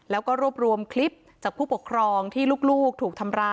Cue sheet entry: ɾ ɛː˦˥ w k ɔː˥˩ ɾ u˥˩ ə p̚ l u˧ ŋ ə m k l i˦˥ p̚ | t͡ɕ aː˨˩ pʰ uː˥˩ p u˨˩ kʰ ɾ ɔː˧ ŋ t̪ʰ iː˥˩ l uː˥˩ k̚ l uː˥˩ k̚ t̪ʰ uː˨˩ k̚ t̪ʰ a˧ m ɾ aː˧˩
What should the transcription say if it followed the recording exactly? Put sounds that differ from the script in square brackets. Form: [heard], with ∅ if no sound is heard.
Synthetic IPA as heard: [l] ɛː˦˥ w k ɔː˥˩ ɾ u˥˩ ə p̚ [ɾ] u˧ [∅] ə m [kʰ] l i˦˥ p̚ | t͡ɕ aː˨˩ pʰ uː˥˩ p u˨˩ kʰ ɾ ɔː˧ ŋ t̪ʰ iː˥˩ l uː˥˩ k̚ l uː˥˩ k̚ t̪ʰ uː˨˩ k̚ t̪ʰ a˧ m ɾ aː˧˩